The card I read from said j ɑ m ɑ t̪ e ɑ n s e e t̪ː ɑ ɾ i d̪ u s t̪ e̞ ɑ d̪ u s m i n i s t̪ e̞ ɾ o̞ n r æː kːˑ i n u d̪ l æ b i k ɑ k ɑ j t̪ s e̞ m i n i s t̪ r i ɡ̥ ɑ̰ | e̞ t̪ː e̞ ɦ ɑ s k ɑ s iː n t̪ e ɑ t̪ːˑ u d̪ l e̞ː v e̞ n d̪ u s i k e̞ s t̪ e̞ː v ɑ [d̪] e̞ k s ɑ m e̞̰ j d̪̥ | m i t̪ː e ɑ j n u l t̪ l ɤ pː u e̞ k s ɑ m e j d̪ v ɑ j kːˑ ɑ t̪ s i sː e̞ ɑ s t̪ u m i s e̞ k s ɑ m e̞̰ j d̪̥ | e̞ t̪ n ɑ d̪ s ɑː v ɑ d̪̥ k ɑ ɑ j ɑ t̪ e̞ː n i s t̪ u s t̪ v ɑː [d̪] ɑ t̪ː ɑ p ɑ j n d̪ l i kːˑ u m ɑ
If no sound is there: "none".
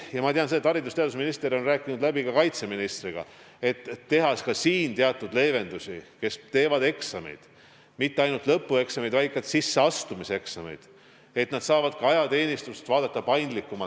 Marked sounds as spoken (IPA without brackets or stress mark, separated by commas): d̪, d̪